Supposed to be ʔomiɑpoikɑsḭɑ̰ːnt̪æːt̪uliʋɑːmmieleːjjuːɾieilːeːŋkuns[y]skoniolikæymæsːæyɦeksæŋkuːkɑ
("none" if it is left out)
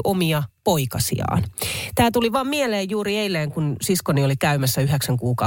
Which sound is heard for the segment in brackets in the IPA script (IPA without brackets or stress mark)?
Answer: i